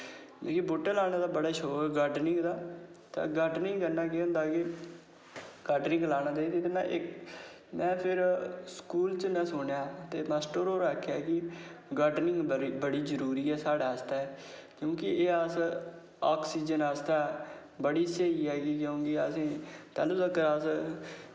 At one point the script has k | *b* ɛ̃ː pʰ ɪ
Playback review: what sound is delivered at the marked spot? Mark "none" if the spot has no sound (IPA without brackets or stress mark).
m